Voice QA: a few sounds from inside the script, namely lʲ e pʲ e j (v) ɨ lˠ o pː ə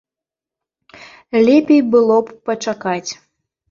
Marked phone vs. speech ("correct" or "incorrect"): incorrect